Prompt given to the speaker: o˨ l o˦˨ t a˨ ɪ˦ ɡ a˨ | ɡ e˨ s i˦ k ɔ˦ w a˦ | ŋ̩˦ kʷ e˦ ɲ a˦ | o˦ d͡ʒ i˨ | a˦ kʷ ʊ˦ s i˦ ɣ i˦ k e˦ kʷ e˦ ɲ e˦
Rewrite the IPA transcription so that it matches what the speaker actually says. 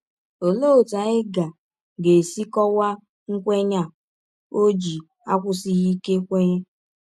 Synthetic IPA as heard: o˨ l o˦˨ t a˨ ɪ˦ ɡ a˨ | ɡ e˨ s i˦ k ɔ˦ w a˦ | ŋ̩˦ kʷ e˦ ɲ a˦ | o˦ d͡ʒ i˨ | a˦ kʷ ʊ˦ s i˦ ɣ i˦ k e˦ kʷ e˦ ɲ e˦

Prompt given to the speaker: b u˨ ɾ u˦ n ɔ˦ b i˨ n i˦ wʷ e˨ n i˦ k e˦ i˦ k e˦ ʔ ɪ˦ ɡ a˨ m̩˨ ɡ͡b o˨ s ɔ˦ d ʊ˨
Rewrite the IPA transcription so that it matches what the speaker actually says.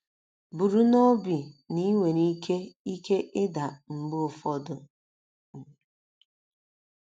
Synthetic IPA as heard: b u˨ ɾ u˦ n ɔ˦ b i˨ n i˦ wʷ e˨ n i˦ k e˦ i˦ k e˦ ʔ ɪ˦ d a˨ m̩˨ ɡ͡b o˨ f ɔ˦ d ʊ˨

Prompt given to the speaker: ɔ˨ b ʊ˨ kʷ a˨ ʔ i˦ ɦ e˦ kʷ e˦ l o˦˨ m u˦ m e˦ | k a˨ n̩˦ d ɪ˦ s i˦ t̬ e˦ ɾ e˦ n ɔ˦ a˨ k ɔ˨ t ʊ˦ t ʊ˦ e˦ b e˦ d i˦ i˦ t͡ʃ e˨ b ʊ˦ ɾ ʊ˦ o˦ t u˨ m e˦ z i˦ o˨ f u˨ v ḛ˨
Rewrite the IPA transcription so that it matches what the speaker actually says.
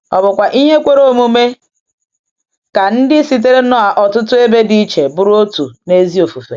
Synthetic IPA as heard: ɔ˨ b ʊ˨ kʷ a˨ ʔ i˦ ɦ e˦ kʷ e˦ ɾ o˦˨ m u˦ m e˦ | k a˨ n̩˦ d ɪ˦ s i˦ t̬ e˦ ɾ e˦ n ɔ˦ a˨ ʔ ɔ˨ t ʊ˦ t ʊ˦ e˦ b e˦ d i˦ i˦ t͡ʃ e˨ b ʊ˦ ɾ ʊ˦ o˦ t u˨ n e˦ z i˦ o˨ f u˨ f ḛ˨

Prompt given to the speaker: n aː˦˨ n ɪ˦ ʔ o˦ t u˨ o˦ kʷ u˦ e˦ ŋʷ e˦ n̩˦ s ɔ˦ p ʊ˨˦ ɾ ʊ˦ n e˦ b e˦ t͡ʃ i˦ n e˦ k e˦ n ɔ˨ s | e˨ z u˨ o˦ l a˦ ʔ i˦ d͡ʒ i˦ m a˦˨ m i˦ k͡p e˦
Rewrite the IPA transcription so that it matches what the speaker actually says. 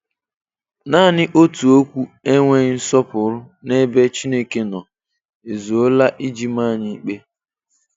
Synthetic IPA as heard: n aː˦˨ n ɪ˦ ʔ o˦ t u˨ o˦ kʷ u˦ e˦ ŋʷ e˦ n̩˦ s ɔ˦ p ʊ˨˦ ɾ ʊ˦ n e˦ b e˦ t͡ʃ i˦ n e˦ k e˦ n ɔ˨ | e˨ z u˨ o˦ l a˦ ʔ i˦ d͡ʒ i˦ m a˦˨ ɲ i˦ k͡p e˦

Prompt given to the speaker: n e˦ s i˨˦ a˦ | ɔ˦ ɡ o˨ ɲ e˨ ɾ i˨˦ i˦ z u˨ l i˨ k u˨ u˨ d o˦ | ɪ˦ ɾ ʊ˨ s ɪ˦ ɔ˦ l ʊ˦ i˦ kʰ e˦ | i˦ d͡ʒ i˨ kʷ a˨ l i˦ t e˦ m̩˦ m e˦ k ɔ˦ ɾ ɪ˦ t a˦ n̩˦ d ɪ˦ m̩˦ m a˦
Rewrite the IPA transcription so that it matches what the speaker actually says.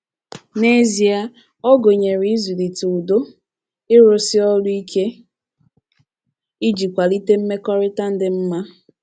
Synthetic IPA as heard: n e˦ z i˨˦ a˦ | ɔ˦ ɡ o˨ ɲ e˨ ɾ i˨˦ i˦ z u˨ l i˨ t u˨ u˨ d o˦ | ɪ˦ ɾ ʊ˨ s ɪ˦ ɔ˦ l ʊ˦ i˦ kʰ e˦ | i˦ d͡ʒ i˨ kʷ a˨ l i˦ t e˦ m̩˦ m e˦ k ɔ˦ ɾ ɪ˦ t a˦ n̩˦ d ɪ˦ m̩˦ m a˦

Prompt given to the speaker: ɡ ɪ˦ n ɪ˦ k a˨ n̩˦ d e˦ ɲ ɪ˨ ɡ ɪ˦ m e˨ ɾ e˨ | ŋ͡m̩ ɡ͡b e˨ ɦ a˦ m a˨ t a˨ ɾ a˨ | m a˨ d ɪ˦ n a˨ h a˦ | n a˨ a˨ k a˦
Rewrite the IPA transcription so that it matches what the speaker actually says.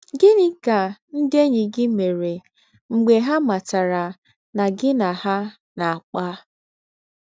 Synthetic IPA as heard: ɡ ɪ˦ n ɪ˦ k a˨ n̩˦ d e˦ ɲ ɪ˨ ɡ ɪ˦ m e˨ ɾ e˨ | ŋ͡m̩ ɡ͡b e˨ ɦ a˦ m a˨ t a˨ ɾ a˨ | n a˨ ɡ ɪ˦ n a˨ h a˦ | n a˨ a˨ k͡p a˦

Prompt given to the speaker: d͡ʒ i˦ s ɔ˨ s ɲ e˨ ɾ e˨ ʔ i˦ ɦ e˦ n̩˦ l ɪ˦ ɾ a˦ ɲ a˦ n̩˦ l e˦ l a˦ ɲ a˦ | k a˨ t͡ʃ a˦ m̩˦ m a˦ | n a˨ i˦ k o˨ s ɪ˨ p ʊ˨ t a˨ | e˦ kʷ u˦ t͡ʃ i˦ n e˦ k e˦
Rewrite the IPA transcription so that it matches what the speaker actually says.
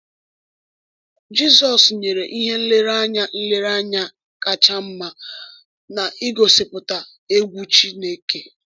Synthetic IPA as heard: d͡ʒ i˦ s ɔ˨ s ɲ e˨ ɾ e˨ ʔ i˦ ɦ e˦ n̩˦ l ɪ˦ ɾ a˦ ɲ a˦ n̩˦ l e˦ ɾ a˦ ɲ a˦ | k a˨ t͡ʃ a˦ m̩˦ m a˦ | n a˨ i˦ ɡ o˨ s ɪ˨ p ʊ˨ t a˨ | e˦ ɡʷ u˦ t͡ʃ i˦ n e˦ k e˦

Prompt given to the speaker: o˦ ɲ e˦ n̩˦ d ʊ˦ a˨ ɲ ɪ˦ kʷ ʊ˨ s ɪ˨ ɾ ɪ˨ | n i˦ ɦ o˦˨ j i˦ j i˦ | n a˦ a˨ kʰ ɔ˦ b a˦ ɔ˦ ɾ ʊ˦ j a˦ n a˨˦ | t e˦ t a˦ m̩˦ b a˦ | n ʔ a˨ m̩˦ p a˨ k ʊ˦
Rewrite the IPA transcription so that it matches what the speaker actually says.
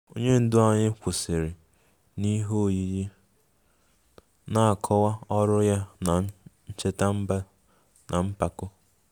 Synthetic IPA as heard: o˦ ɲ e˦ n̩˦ d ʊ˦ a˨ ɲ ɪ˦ kʷ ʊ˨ s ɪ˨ ɾ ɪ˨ | n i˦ ɦ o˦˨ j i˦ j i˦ | n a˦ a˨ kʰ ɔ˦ w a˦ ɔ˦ ɾ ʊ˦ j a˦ n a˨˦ | t͡ʃ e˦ t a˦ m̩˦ b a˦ | n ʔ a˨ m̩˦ p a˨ k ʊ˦

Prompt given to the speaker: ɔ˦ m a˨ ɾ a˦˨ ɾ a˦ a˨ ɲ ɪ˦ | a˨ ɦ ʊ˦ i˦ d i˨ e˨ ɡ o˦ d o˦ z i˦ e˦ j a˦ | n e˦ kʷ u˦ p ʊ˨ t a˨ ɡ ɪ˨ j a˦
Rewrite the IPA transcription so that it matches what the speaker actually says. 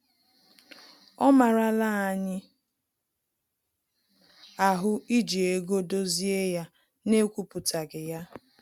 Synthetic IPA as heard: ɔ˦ m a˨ ɾ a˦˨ l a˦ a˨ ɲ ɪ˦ | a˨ ɦ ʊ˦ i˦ d͡ʒ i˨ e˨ ɡ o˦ d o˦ z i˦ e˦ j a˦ | n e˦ kʷ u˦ p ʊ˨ t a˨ ɡ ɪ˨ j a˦

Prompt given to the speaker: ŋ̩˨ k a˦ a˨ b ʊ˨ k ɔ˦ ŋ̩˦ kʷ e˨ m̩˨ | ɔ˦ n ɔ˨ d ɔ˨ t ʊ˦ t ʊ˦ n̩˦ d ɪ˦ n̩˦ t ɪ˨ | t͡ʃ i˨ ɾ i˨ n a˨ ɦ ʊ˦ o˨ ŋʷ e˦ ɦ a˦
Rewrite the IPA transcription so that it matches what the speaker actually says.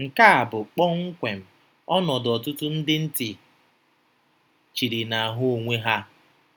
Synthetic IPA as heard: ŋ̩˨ k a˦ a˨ b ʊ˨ k͡p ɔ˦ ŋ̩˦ kʷ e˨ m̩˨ | ɔ˦ n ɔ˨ d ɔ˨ t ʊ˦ t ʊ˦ n̩˦ d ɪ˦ n̩˦ t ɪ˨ | t͡ʃ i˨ ɾ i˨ n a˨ ɦ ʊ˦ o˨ ŋʷ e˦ ɦ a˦

